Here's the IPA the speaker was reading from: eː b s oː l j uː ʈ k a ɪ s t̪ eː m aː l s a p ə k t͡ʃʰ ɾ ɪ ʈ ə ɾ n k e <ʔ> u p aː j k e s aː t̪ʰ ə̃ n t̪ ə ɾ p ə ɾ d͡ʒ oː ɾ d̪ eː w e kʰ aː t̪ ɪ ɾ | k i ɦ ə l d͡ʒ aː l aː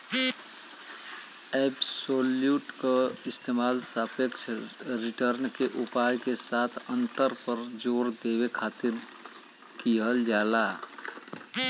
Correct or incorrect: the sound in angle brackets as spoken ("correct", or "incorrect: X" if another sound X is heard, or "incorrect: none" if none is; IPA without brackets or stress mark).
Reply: correct